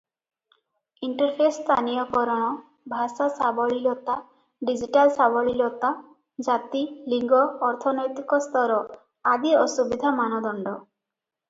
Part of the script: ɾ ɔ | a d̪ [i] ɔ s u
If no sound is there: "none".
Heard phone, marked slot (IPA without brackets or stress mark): i